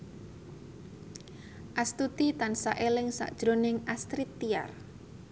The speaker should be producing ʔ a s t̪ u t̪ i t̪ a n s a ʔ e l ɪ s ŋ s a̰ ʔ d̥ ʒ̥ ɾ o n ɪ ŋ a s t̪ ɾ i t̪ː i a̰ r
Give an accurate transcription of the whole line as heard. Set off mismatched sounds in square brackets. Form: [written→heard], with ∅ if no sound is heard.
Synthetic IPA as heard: ʔ a s t̪ u t̪ i t̪ a n s a ʔ e l ɪ [s→∅] ŋ s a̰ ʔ d̥ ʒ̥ ɾ o n ɪ ŋ a s t̪ ɾ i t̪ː i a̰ r

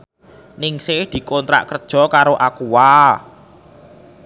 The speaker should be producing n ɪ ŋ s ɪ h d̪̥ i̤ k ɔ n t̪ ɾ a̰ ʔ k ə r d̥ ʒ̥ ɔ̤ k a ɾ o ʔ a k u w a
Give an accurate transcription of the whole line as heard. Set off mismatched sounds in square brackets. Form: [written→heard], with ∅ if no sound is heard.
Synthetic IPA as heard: n ɪ ŋ s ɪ h d̪̥ i̤ k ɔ n t̪ ɾ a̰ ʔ k ə r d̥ ʒ̥ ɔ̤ k a ɾ o ʔ a k u w a

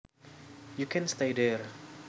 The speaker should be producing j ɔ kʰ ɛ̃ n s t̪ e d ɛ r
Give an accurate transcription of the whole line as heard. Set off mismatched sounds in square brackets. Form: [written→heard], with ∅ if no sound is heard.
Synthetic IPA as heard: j [ɔ→u] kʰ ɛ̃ n s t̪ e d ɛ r

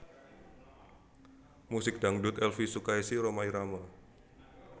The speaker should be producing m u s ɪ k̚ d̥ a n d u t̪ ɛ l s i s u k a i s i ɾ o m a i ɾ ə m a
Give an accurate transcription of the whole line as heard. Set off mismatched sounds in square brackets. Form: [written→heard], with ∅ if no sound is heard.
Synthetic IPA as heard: m u s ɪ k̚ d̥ a [n→ŋ] d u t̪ ɛ l [s→f] i s u k a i s i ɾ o m a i ɾ [ə→a] m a

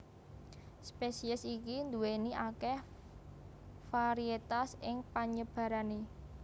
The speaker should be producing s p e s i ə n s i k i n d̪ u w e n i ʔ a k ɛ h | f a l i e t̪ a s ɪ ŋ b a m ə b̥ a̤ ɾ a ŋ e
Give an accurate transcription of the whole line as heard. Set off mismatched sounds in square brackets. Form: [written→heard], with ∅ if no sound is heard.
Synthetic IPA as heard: s p e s i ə [n→∅] s i k i n d̪ u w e n i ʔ a k ɛ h | f a [l→ɾ] i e t̪ a s ɪ ŋ [b→p] a [m→ɲ] ə b̥ a̤ ɾ a [ŋ→n] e

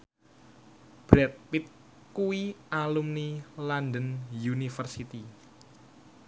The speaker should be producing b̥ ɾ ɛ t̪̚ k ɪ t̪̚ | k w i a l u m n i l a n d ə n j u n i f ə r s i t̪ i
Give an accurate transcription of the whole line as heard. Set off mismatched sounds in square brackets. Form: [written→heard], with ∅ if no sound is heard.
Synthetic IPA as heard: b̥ ɾ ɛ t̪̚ [k→p] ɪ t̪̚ | k [w→u] i a l u m n i l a n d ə n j u n i f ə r s i t̪ i

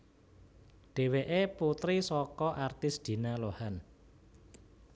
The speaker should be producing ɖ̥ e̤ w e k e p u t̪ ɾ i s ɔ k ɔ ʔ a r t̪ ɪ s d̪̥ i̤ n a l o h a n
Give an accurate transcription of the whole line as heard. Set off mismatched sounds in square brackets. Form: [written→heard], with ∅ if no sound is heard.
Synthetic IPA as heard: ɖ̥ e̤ w e [k→ʔ] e p u t̪ ɾ i s ɔ k ɔ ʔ a r t̪ ɪ s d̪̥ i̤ n a l o h a n

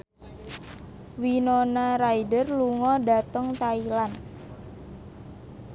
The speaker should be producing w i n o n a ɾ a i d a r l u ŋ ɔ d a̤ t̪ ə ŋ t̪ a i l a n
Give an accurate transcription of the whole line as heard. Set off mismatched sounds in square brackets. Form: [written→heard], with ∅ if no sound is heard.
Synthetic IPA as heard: w i n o n a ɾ a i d [a→ə] r l u ŋ ɔ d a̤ t̪ ə ŋ t̪ a i l a n

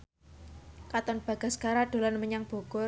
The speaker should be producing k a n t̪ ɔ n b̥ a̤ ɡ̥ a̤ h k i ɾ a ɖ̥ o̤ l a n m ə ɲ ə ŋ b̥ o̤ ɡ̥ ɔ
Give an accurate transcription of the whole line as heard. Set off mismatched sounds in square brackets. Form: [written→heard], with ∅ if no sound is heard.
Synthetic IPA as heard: k a [n→∅] t̪ ɔ n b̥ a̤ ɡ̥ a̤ [h→s] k [i→a] ɾ a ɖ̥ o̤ l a n m ə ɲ [ə→a] ŋ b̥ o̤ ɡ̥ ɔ

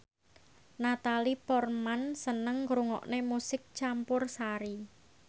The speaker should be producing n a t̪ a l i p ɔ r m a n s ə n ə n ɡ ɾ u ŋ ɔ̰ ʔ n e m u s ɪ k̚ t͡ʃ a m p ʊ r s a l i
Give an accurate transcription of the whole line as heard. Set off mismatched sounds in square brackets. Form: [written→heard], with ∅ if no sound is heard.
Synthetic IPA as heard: n a t̪ a l i p ɔ r m a n s ə n ə [n→ŋ] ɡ ɾ u ŋ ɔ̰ ʔ n e m u s ɪ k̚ t͡ʃ a m p ʊ r s a [l→ɾ] i

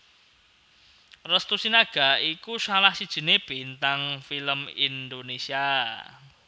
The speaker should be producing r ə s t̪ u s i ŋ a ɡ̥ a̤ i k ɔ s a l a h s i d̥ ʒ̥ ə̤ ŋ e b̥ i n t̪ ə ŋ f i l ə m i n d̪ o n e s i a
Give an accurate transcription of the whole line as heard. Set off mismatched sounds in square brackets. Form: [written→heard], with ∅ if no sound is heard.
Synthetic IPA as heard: r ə s t̪ u s i [ŋ→n] a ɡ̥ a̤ i k [ɔ→u] s a l a h s i d̥ ʒ̥ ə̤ [ŋ→n] e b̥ i n t̪ [ə→a] ŋ f i l ə m i n d̪ o n e s i a

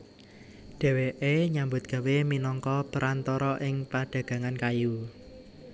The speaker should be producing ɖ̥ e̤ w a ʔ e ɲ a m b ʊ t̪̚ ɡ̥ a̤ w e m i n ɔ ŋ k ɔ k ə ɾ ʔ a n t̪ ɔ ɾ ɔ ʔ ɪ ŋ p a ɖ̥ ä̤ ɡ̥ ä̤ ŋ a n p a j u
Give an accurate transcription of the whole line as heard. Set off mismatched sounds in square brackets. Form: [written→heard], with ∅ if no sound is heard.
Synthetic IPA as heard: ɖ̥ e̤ w [a→e] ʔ e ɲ a m b ʊ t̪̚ ɡ̥ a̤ w e m i n ɔ ŋ k ɔ [k→p] ə ɾ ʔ a n t̪ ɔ ɾ ɔ ʔ ɪ ŋ p a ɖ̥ ä̤ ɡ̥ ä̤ ŋ a n [p→k] a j u

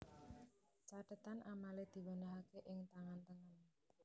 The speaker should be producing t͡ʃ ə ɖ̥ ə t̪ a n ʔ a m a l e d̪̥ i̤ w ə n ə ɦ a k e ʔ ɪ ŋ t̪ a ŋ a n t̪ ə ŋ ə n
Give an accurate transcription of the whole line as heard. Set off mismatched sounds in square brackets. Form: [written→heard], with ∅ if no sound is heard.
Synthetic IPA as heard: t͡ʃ [ə→a] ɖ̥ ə t̪ a n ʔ a m a l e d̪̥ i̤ w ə n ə ɦ a k e ʔ ɪ ŋ t̪ a ŋ a n t̪ ə ŋ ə n

